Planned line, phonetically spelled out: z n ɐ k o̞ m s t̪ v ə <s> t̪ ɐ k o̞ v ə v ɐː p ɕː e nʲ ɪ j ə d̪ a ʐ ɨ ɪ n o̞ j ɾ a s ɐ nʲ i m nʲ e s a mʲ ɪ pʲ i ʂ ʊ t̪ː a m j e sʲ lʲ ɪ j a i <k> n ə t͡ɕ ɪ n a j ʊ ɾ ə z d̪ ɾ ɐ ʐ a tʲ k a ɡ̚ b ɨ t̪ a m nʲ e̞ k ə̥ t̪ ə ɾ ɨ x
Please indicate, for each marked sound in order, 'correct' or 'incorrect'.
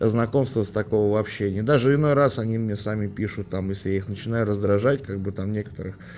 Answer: correct, incorrect: x

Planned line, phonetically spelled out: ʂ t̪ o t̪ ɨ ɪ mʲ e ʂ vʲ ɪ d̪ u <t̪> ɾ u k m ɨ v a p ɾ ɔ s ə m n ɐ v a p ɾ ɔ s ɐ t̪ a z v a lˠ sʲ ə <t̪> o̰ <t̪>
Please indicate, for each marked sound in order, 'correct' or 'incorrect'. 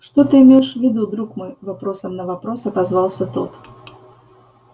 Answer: incorrect: d̪, correct, correct

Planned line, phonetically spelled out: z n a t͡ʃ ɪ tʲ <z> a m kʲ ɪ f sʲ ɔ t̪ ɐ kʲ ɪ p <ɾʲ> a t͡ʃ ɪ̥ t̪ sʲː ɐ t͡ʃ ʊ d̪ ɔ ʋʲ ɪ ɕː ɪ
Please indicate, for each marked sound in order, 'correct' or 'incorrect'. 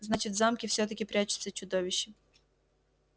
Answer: correct, correct

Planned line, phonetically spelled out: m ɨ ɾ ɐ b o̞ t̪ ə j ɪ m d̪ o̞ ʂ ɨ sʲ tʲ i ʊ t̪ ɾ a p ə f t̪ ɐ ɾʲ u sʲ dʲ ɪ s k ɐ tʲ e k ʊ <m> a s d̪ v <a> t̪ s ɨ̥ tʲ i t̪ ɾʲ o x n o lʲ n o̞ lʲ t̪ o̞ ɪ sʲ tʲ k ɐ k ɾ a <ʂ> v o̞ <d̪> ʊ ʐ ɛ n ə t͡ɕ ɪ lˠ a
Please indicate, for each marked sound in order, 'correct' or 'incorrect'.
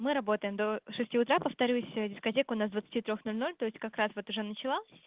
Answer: incorrect: n, incorrect: ə, incorrect: s, incorrect: t̪

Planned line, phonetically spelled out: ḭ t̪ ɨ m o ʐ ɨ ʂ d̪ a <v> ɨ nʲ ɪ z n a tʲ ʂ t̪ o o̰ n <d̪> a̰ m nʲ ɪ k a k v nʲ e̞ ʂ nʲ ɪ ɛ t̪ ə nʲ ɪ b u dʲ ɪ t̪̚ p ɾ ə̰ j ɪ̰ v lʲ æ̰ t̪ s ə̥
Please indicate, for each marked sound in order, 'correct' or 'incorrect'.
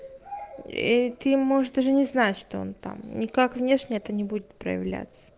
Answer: incorrect: ʐ, incorrect: t̪

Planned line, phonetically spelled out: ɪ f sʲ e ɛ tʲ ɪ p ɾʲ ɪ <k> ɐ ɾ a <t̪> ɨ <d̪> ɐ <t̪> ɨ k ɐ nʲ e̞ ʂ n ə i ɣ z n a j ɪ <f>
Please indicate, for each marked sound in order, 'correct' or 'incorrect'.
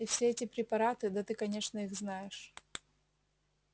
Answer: incorrect: p, correct, correct, correct, incorrect: ʂ

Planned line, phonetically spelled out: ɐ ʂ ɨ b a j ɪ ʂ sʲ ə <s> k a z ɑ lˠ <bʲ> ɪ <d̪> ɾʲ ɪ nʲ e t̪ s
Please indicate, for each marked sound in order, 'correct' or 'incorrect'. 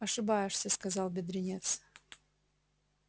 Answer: correct, correct, correct

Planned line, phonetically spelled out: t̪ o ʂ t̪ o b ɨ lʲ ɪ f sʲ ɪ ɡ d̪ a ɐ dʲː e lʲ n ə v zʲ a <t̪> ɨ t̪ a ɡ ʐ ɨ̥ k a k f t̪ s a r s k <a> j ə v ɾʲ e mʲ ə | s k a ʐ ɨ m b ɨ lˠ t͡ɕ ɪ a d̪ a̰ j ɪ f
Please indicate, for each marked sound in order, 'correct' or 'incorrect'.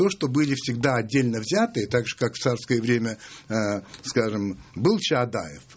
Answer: correct, incorrect: ə

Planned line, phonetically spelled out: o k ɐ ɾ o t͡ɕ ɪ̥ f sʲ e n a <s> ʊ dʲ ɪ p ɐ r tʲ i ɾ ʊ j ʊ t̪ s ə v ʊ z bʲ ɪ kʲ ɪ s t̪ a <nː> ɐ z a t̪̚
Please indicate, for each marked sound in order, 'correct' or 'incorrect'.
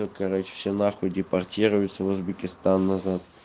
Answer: incorrect: x, correct

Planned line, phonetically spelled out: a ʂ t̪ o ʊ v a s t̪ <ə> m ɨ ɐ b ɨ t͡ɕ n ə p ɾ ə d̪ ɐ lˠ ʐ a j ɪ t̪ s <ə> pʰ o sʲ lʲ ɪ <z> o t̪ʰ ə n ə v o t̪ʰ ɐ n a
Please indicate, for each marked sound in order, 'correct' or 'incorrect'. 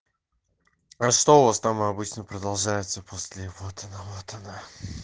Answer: incorrect: a, correct, incorrect: v

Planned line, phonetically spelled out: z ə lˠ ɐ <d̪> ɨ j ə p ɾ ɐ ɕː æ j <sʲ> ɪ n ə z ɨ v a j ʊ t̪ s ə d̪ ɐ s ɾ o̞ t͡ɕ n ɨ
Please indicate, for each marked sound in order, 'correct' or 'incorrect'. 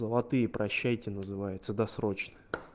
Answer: incorrect: t̪, incorrect: tʲ

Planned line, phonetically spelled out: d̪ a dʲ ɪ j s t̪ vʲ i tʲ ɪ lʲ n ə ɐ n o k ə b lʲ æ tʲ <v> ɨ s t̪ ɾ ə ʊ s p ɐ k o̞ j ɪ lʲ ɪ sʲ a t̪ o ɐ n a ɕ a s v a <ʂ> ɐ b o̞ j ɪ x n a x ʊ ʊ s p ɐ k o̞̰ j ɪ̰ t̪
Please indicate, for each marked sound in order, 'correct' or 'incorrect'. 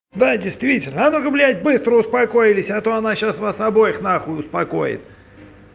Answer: incorrect: b, incorrect: s

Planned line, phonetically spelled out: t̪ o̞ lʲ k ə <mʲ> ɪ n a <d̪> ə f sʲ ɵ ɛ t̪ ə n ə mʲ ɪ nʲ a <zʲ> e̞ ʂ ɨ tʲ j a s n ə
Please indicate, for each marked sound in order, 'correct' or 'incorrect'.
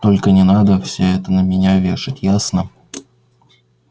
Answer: incorrect: nʲ, correct, incorrect: vʲ

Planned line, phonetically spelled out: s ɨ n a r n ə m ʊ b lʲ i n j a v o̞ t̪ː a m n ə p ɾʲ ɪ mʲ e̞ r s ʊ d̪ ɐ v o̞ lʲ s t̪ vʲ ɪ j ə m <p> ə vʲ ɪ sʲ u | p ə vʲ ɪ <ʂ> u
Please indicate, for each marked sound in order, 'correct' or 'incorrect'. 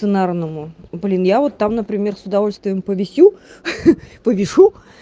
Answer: correct, correct

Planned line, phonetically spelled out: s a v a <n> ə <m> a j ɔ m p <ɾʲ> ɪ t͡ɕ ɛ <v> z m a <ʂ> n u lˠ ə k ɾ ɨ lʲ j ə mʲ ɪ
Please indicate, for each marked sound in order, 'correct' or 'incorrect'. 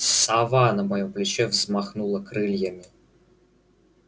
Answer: correct, correct, incorrect: lʲ, correct, incorrect: x

